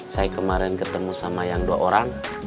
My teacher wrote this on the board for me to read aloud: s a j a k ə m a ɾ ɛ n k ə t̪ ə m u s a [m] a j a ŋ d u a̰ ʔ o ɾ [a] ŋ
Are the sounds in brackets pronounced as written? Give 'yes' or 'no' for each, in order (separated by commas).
yes, yes